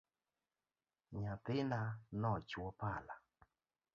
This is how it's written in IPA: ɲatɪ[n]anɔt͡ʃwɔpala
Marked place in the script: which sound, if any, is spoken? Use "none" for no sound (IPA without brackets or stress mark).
n